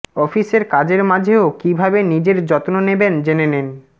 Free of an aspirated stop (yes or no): yes